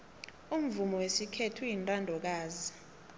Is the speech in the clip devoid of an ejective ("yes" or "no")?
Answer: no